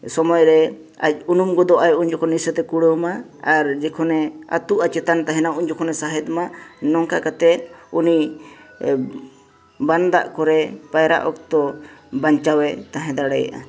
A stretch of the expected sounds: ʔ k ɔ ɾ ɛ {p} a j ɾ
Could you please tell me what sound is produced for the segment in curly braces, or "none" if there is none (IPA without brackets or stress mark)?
p